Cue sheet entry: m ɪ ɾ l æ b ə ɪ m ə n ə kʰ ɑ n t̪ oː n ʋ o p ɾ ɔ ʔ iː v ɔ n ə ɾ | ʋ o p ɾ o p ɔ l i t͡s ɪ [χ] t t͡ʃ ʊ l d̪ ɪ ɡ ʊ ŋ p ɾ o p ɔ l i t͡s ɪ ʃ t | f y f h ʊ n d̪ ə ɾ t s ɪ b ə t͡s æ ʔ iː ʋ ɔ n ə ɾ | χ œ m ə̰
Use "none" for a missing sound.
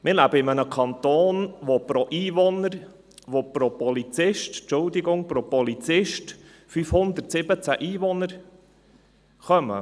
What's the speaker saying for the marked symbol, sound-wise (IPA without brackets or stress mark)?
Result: ʃ